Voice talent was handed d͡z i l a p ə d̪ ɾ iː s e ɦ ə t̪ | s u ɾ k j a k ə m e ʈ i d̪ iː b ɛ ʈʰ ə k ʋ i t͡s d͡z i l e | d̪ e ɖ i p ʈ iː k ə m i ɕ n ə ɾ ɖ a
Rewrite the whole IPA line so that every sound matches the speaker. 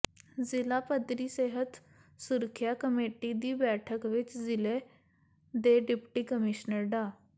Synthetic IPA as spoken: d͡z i l a p ə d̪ ɾ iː s e ɦ ə t̪ | s u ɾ kʰ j a k ə m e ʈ i d̪ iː b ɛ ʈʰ ə k ʋ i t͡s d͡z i l e | d̪ e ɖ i p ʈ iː k ə m i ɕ n ə ɾ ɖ a